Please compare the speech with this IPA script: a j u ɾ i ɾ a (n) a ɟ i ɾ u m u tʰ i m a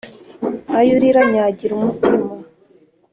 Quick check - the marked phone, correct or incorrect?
incorrect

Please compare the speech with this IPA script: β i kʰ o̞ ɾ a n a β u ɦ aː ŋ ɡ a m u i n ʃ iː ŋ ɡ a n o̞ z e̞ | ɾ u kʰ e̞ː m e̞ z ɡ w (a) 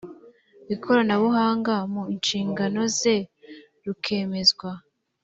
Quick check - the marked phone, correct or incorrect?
correct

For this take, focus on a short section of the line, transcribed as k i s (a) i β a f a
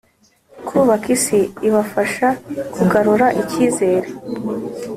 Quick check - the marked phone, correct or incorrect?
incorrect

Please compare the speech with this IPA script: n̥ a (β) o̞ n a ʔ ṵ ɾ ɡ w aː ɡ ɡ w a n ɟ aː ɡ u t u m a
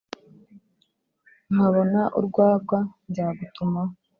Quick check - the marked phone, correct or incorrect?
correct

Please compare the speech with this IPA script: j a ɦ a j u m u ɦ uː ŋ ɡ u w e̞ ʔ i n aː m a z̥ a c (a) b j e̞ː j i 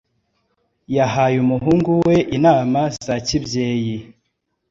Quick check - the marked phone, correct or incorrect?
incorrect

